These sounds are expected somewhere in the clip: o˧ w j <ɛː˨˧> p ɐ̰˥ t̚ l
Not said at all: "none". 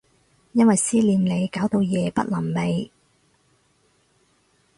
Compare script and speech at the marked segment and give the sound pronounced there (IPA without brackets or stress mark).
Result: ɛː˨˧